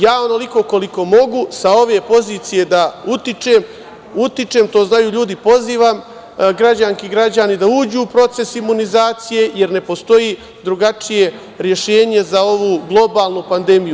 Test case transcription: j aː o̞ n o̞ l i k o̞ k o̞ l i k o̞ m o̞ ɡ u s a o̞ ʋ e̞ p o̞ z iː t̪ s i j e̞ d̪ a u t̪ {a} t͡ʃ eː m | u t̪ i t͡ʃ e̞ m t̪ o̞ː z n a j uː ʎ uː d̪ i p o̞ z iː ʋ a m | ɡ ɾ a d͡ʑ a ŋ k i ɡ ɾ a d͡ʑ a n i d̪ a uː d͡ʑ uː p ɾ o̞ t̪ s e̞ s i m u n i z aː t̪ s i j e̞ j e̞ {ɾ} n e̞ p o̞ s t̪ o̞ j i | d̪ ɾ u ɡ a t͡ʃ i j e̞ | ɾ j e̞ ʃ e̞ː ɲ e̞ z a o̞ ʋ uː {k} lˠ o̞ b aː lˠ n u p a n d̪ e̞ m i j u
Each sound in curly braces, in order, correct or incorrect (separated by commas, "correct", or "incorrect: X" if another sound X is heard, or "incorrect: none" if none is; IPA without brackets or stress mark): incorrect: i, correct, incorrect: ɡ